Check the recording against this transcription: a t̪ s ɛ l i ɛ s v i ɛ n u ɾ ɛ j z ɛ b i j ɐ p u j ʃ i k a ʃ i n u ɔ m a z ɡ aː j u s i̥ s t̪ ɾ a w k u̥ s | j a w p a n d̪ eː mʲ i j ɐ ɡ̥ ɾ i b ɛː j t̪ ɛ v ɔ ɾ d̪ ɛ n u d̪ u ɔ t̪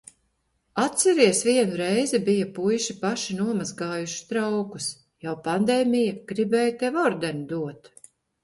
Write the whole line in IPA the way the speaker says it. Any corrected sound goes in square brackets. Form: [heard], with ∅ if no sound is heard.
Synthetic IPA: a t̪ s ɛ [ɾ] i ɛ s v i ɛ n u ɾ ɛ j z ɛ b i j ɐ p u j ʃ i [p] a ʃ i n u ɔ m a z ɡ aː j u [ʃ] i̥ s t̪ ɾ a w k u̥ s | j a w p a n d̪ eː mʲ i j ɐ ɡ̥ ɾ i b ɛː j t̪ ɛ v ɔ ɾ d̪ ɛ n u d̪ u ɔ t̪